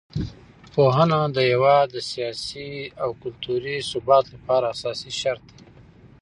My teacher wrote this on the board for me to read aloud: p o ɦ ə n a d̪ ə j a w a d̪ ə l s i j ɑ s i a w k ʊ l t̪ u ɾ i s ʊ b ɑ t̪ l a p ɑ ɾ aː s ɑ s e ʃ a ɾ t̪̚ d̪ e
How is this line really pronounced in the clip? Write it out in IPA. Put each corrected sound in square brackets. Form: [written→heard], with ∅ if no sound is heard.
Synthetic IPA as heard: p o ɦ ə n a d̪ ə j a w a d̪ ə [l→∅] s i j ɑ s i a w k ʊ l t̪ u ɾ i s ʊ b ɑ t̪ l a p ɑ ɾ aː s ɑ s [e→i] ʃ a ɾ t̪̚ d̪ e